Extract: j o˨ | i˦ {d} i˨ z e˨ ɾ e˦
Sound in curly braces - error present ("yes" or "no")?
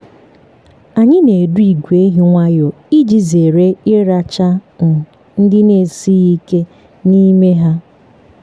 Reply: yes